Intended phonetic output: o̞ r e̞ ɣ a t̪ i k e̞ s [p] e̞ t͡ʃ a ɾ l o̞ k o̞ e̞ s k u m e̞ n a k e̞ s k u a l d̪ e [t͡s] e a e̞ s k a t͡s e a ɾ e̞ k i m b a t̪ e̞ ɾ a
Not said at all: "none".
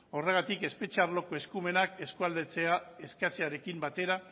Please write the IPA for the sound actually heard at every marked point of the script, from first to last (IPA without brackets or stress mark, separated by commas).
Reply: p, t͡s